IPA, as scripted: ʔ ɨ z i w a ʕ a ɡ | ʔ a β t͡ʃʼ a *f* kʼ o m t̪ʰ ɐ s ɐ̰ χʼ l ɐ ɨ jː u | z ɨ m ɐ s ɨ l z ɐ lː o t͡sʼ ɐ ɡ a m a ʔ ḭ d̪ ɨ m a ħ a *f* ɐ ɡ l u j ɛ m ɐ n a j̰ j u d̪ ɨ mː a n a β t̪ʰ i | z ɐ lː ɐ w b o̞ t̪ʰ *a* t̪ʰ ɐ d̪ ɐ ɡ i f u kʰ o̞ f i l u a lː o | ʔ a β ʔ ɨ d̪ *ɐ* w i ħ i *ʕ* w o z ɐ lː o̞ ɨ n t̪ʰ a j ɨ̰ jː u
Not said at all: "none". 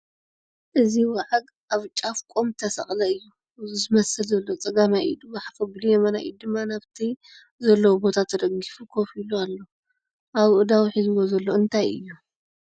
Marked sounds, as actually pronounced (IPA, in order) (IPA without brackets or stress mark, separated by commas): f, f, a, a, z